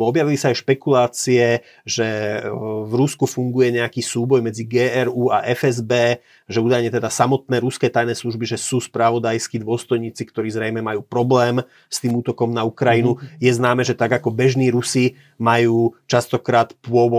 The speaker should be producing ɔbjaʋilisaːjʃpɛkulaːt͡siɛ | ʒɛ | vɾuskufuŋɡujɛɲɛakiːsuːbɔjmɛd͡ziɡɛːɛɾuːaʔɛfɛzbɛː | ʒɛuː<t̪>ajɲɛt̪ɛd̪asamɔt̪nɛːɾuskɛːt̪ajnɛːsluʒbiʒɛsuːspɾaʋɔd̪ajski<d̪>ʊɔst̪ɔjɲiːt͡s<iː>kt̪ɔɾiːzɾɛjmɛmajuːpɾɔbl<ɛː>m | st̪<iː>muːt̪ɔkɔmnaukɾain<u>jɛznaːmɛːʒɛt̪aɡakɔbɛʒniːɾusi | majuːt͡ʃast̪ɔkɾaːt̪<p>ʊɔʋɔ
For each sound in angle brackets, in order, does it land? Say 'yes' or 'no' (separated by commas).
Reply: no, yes, no, yes, yes, yes, yes